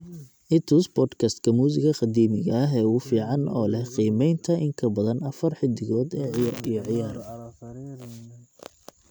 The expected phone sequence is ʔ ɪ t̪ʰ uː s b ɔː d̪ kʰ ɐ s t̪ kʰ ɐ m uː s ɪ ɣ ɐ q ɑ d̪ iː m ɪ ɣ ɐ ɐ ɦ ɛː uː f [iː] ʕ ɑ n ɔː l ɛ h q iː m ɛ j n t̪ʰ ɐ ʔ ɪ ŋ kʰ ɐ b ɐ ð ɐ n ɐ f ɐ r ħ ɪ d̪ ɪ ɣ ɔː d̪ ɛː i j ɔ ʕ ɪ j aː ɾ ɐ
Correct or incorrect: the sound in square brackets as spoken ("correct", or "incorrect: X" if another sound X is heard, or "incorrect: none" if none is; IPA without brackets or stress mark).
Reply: correct